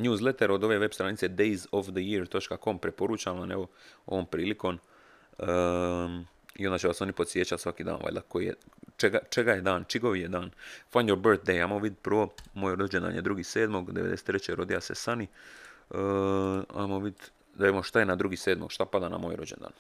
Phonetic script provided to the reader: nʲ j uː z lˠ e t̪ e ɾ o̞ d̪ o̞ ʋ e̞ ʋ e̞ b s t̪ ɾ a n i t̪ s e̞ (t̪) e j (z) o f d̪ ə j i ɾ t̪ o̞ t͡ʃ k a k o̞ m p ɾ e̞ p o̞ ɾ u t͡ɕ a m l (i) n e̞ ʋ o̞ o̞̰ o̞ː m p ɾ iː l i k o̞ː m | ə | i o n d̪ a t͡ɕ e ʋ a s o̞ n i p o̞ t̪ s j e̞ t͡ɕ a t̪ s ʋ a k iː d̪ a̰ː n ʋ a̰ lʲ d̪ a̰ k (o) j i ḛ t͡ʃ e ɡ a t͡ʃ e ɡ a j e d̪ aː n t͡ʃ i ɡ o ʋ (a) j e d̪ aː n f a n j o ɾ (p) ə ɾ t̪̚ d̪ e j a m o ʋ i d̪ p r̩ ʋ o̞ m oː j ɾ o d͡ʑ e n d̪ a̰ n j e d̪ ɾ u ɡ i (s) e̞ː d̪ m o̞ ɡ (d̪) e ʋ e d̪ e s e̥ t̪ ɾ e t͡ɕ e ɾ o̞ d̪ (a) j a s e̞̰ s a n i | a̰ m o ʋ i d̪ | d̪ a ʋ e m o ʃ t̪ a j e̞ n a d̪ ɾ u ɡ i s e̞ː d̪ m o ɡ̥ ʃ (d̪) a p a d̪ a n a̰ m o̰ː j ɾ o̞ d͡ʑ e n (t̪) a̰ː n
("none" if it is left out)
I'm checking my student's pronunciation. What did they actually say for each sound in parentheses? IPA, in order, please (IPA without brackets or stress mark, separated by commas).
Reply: d̪, z, a, o, i, b, s, d̪, i, t̪, d̪